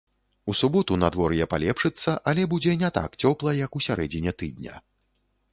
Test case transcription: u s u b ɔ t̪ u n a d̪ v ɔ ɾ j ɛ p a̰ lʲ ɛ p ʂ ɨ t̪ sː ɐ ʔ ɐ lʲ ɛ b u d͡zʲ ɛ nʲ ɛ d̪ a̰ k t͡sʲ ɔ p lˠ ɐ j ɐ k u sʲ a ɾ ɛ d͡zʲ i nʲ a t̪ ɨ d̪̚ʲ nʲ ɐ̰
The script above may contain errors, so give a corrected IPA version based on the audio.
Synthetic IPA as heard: u s u b ɔ t̪ u n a d̪ v ɔ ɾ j ɛ p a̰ lʲ ɛ p ʂ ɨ t̪ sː ɐ ʔ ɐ lʲ ɛ b u d͡zʲ ɛ nʲ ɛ t̪ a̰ k t͡sʲ ɔ p lˠ ɐ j ɐ k u sʲ a ɾ ɛ d͡zʲ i nʲ ɛ t̪ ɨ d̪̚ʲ nʲ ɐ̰